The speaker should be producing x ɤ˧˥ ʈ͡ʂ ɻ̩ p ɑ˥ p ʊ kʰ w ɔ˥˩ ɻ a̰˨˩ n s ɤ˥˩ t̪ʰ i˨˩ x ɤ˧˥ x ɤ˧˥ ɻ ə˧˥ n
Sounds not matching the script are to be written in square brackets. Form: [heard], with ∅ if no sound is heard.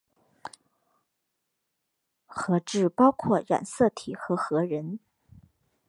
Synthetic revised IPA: x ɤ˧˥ ʈ͡ʂ ɻ̩ p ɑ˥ [∅] ʊ kʰ w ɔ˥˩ ɻ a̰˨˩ n s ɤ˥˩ t̪ʰ i˨˩ x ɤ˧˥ x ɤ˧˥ ɻ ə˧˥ n